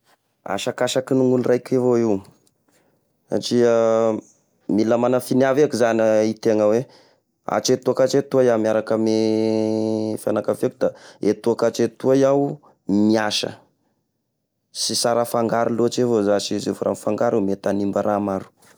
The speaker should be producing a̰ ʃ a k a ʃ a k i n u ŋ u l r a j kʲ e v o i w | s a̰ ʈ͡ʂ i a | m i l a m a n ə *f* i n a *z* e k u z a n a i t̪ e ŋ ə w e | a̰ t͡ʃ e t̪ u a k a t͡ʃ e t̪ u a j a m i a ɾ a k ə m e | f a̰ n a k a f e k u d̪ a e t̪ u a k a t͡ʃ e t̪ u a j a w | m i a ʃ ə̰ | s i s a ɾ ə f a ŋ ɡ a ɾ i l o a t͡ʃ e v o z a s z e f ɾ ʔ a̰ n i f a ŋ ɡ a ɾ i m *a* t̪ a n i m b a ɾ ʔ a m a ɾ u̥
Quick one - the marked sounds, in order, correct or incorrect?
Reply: correct, incorrect, incorrect

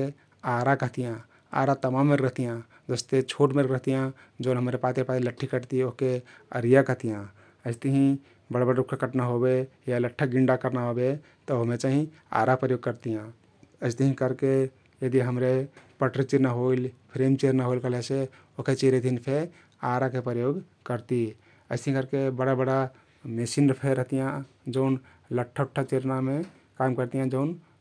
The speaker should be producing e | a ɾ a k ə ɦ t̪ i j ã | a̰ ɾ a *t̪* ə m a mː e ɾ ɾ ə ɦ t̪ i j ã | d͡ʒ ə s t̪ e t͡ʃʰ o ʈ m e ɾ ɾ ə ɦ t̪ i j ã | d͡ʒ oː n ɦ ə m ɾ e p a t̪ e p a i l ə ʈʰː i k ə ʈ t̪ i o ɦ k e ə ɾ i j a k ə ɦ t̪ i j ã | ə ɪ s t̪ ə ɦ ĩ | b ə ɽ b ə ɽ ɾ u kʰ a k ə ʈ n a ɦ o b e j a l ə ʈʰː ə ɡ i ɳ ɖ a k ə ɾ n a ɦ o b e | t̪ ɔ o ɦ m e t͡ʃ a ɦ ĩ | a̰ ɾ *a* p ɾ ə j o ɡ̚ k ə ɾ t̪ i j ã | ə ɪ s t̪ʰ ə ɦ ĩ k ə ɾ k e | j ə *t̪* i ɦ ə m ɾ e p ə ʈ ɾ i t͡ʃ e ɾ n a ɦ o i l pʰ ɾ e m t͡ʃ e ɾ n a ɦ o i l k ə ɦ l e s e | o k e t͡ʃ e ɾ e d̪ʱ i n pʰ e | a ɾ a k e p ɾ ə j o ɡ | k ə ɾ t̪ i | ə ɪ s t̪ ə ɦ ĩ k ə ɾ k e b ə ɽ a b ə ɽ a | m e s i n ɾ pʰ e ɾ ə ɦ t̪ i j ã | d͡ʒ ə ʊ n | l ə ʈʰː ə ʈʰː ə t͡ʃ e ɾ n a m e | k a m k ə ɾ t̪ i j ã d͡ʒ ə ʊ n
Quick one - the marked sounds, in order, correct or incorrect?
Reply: correct, correct, incorrect

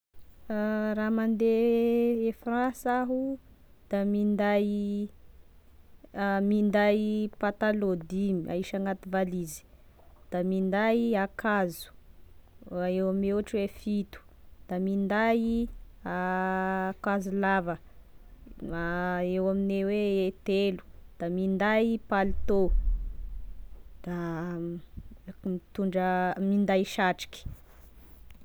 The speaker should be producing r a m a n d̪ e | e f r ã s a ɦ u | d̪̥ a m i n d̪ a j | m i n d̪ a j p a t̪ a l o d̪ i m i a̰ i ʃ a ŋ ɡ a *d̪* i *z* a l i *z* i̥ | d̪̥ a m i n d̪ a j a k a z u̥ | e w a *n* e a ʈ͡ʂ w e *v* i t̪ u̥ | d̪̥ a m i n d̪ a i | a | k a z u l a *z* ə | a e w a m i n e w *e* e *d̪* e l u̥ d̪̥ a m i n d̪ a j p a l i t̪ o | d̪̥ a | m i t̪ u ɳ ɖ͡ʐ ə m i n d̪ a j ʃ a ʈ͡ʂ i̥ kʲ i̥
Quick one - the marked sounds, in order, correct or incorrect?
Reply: incorrect, incorrect, correct, incorrect, incorrect, incorrect, correct, incorrect

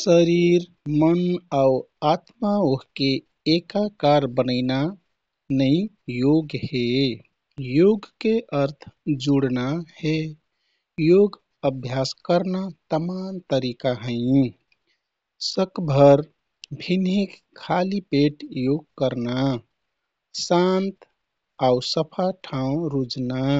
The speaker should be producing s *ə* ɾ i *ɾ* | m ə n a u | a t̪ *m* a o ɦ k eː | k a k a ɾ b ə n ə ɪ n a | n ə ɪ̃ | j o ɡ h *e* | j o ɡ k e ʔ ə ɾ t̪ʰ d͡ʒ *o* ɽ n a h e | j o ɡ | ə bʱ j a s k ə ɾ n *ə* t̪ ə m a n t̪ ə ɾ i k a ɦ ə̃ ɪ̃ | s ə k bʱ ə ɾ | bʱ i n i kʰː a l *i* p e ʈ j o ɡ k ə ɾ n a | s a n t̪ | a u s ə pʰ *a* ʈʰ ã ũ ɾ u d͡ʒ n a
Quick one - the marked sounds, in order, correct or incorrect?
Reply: correct, correct, correct, correct, incorrect, incorrect, correct, correct

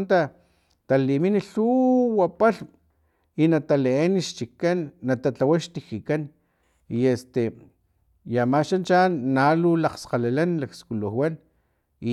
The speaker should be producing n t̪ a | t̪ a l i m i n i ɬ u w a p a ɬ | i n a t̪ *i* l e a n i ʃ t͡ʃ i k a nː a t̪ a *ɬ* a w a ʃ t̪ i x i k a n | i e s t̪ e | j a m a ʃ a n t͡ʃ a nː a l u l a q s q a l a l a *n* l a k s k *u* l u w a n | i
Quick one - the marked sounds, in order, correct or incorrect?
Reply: incorrect, incorrect, correct, correct

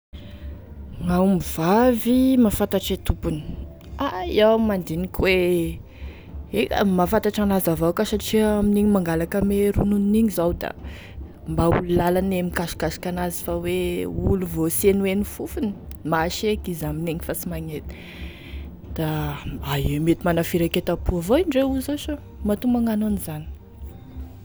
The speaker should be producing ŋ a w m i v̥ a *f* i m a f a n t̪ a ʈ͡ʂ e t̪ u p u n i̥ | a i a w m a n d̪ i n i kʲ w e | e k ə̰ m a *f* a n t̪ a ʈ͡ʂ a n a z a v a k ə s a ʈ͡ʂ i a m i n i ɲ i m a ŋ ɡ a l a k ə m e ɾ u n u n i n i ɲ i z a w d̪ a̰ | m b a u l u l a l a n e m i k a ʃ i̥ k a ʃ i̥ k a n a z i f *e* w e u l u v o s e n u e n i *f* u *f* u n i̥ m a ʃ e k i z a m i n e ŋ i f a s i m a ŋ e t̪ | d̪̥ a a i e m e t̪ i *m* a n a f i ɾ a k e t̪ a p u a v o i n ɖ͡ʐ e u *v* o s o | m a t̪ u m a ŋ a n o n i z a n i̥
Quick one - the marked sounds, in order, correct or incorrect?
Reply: incorrect, correct, incorrect, correct, correct, correct, incorrect

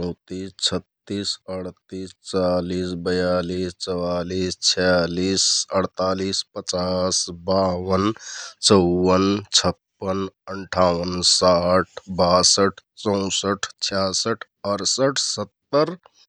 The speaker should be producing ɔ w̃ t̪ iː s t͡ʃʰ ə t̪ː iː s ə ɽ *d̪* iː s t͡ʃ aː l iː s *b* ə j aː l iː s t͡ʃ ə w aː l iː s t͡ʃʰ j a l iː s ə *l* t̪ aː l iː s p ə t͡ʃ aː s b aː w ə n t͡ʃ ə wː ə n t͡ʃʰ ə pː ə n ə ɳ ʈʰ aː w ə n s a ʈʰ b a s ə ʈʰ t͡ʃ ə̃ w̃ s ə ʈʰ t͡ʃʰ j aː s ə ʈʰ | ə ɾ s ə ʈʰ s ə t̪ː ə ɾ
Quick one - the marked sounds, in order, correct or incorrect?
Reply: incorrect, correct, incorrect

